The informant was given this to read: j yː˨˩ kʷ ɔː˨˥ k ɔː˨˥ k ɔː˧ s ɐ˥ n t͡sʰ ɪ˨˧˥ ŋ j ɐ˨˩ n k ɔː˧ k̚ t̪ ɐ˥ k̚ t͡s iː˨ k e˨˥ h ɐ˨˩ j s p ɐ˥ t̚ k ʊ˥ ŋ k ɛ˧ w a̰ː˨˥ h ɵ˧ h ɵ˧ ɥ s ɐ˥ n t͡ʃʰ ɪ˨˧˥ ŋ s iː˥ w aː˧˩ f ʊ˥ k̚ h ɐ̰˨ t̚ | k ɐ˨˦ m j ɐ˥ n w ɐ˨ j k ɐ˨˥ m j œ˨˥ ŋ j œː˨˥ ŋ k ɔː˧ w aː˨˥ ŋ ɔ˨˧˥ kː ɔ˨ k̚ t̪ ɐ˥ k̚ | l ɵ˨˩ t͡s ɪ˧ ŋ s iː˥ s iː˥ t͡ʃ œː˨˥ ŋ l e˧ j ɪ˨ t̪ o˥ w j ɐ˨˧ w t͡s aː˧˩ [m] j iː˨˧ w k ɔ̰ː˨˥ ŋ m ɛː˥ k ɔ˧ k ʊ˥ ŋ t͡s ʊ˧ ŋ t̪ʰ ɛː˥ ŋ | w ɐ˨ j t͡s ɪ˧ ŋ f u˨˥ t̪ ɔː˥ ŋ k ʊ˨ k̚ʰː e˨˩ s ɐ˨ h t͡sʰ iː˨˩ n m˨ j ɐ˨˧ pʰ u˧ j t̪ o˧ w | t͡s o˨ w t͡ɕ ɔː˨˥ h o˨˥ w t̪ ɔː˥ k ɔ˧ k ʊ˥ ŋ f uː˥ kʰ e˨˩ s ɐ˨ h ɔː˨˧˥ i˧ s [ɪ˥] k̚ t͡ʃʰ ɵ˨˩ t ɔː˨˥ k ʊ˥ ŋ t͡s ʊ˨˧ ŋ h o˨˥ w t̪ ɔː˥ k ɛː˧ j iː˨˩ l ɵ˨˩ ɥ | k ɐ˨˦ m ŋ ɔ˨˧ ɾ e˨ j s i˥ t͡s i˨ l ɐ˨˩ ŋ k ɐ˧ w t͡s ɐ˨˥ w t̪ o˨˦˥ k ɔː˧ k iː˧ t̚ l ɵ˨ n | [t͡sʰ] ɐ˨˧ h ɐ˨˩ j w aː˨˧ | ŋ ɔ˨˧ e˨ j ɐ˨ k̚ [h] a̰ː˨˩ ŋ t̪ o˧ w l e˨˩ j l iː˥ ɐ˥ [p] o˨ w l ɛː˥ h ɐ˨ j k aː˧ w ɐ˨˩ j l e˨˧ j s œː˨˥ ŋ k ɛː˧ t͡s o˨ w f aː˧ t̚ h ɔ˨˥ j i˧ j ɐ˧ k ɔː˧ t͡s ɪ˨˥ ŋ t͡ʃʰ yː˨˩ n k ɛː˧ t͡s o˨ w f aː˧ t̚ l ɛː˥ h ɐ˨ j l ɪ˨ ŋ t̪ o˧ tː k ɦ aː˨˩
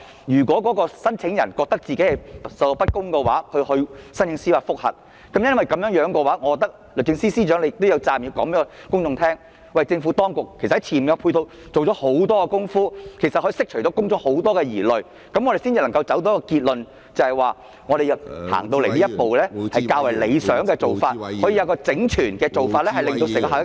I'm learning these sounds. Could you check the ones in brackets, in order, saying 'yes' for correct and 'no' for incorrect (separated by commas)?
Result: yes, yes, no, yes, yes